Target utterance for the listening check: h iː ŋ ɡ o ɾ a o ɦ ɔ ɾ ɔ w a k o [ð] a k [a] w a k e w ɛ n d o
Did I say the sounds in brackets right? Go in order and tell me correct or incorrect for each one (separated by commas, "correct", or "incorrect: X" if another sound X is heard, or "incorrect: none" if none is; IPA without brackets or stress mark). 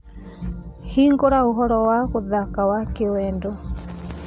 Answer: correct, correct